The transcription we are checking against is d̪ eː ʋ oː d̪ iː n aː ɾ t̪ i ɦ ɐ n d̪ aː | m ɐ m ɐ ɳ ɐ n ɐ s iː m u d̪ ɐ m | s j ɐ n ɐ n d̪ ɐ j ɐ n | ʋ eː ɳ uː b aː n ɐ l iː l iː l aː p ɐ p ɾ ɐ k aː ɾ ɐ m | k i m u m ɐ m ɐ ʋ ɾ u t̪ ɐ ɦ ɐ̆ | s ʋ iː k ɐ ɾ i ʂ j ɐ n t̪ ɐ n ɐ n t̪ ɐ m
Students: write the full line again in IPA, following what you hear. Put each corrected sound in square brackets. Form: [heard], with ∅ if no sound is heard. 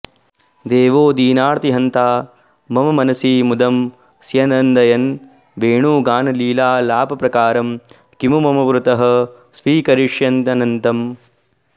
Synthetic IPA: d̪ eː ʋ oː d̪ iː n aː ɾ t̪ i ɦ ɐ n [t̪] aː | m ɐ m ɐ [m] ɐ n ɐ s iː m u d̪ ɐ m | s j ɐ n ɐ n d̪ ɐ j ɐ n | ʋ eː ɳ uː [ɡ] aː n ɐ l iː l [aː] l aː p ɐ p ɾ ɐ k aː ɾ ɐ m | k i m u m ɐ m ɐ ʋ ɾ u t̪ ɐ ɦ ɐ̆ | s ʋ iː k ɐ ɾ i ʂ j ɐ n t̪ ɐ n ɐ n t̪ ɐ m